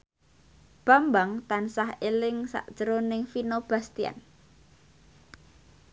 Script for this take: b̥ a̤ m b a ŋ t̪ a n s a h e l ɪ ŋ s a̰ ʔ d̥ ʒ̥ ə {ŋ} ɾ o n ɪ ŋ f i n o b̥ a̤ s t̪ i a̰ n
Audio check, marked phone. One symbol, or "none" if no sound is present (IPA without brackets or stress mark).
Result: none